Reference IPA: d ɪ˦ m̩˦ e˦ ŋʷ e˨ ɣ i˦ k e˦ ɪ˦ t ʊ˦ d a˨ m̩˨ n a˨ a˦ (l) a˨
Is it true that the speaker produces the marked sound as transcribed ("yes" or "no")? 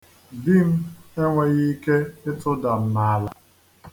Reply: yes